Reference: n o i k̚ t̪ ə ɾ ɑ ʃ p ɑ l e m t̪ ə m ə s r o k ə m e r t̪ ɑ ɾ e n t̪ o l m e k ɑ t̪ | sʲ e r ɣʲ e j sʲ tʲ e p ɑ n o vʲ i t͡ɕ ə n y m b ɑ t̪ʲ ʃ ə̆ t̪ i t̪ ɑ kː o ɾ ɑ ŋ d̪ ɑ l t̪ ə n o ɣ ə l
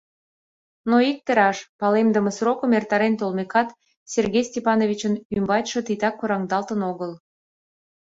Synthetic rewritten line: n o i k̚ t̪ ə ɾ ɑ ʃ p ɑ l e m d̪ ə m ə s r o k ə m e r t̪ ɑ ɾ e n t̪ o l m e k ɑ t̪ | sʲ e r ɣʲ e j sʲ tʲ e p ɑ n o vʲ i t͡ɕ ə n y m b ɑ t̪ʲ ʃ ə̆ t̪ i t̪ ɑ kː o ɾ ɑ ŋ d̪ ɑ l t̪ ə n o ɣ ə l